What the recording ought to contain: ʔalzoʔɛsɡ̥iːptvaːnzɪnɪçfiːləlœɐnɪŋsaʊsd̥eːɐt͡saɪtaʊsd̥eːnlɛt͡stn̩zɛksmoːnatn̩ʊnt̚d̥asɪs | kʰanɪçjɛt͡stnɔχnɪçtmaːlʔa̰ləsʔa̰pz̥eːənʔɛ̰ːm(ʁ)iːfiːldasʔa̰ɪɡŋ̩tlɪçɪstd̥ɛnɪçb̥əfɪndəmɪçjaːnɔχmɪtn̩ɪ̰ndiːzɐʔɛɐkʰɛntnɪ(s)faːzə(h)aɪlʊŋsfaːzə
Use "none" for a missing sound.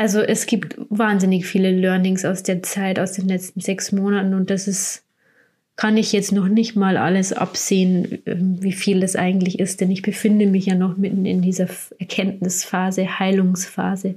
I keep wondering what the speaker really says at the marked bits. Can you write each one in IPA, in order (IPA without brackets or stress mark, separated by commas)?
v, s, h